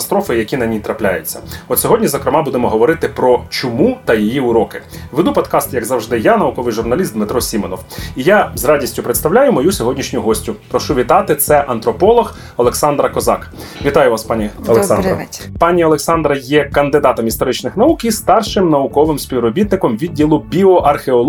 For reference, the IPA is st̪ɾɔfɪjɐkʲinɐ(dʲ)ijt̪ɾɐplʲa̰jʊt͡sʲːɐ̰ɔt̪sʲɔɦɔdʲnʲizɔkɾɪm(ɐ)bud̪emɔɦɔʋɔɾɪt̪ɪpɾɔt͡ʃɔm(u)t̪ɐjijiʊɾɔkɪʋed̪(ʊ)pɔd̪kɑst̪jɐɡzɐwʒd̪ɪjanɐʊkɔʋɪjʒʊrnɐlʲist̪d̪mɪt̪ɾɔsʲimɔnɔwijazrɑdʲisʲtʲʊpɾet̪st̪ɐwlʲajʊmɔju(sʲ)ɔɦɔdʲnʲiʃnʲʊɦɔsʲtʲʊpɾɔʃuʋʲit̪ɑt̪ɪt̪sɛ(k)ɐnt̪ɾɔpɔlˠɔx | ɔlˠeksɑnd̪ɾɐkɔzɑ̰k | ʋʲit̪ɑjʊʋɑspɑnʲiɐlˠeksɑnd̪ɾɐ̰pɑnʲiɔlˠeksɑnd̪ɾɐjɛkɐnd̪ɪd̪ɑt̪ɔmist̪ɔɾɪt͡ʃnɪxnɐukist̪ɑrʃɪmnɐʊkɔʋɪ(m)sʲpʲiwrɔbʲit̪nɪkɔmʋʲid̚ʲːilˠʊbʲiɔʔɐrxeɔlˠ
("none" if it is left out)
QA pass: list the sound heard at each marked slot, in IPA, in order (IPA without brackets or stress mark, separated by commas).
nʲ, ɑ, u, u, sʲ, ʔ, m